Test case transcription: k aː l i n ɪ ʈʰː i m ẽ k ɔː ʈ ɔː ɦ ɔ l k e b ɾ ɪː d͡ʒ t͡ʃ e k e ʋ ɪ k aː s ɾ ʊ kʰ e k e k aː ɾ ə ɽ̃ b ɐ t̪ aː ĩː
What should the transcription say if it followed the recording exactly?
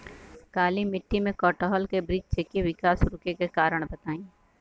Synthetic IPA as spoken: k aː l i m ɪ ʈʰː i m ẽ k ɔː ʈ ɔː ɦ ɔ l k e b ɾ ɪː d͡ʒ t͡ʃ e k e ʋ ɪ k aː s ɾ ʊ k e k e k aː ɾ ə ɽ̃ b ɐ t̪ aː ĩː